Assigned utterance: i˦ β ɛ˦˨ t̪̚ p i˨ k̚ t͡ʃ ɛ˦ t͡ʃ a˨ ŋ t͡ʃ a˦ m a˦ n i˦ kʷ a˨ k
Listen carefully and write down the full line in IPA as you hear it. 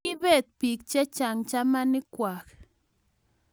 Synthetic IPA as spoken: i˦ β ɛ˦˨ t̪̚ p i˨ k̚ t͡ʃ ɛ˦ t͡ʃ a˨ ŋ t͡ʃ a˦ m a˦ n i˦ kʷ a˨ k